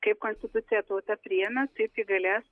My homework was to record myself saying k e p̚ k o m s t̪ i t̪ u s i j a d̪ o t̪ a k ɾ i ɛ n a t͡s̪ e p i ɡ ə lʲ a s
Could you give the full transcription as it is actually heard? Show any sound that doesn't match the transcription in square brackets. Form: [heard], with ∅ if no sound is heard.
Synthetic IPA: k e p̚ k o [n] s t̪ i t̪ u [t͡s] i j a [t̪] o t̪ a [p] ɾ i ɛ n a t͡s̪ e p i ɡ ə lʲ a s

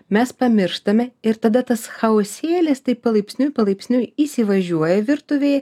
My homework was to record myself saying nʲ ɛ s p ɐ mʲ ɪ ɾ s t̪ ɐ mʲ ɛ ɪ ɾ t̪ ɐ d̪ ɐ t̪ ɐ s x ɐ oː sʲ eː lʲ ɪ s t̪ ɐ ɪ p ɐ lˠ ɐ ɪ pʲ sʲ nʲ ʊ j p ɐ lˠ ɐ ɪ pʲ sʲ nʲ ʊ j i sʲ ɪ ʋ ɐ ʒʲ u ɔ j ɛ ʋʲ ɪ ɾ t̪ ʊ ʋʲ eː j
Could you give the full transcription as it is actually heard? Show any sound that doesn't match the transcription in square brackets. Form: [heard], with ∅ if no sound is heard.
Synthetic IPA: [mʲ] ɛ s p ɐ mʲ ɪ ɾ [ʃ] t̪ ɐ mʲ ɛ ɪ ɾ t̪ ɐ d̪ ɐ t̪ ɐ s x ɐ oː sʲ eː lʲ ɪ s t̪ ɐ ɪ p ɐ lˠ ɐ ɪ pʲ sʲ nʲ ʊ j p ɐ lˠ ɐ ɪ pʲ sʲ nʲ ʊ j i sʲ ɪ ʋ ɐ ʒʲ u ɔ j ɛ ʋʲ ɪ ɾ t̪ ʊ ʋʲ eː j

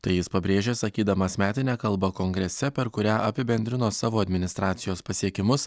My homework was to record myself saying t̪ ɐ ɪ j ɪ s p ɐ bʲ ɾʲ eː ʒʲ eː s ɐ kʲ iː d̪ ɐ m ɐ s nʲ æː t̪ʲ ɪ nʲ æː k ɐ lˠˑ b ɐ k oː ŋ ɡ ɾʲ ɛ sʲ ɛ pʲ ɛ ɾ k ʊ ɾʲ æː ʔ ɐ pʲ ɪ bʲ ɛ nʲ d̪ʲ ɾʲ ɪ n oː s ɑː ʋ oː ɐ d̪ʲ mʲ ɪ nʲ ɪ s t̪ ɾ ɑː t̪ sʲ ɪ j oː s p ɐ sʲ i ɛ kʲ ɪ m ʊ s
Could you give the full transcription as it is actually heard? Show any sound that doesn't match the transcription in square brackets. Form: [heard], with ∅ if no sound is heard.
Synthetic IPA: t̪ ɐ ɪ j ɪ s p ɐ bʲ ɾʲ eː ʒʲ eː s ɐ kʲ iː d̪ ɐ m ɐ s [mʲ] æː t̪ʲ ɪ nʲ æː k ɐ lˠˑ b ɐ k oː ŋ ɡ ɾʲ ɛ sʲ ɛ pʲ ɛ ɾ k ʊ ɾʲ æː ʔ ɐ pʲ ɪ bʲ ɛ nʲ d̪ʲ ɾʲ ɪ n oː s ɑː ʋ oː ɐ d̪ʲ mʲ ɪ nʲ ɪ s t̪ ɾ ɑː t̪ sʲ ɪ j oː s p ɐ sʲ i ɛ kʲ ɪ m ʊ s

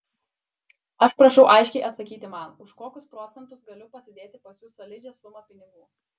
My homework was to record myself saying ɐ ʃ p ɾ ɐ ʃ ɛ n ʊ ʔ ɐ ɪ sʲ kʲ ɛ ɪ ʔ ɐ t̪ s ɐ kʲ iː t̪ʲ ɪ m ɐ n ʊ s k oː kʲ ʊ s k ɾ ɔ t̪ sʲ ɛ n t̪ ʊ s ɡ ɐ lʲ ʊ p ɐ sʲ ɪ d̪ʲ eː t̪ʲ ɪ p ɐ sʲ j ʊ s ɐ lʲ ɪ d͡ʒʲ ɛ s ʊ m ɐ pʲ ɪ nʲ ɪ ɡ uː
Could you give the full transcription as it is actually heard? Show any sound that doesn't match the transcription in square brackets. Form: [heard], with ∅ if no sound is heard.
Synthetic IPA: ɐ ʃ p ɾ ɐ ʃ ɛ [∅] ʊ ʔ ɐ ɪ [ʃʲ] kʲ ɛ ɪ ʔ ɐ t̪ s ɐ kʲ iː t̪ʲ ɪ m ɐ n ʊ [ʃ] k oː kʲ ʊ s [p] ɾ ɔ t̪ sʲ ɛ n t̪ ʊ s ɡ ɐ lʲ ʊ p ɐ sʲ ɪ d̪ʲ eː t̪ʲ ɪ p ɐ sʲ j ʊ s ɐ lʲ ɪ d͡ʒʲ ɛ s ʊ m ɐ pʲ ɪ nʲ ɪ ɡ uː

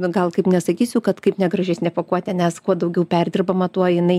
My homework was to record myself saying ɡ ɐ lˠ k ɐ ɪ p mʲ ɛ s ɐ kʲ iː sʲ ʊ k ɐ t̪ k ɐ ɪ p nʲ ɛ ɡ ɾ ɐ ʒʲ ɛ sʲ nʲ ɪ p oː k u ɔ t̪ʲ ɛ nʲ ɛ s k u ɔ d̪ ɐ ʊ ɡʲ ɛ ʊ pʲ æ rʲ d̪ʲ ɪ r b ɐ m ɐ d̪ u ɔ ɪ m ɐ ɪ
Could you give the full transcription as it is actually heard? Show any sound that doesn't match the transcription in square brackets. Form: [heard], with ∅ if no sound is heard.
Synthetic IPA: ɡ ɐ lˠ k ɐ ɪ p [nʲ] ɛ s ɐ kʲ iː sʲ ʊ k ɐ t̪ k ɐ ɪ p nʲ ɛ ɡ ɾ ɐ ʒʲ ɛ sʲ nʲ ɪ p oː k u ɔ t̪ʲ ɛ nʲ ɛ s k u ɔ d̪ ɐ ʊ ɡʲ ɛ ʊ pʲ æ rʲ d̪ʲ ɪ r b ɐ m ɐ [t̪] u ɔ ɪ [n] ɐ ɪ

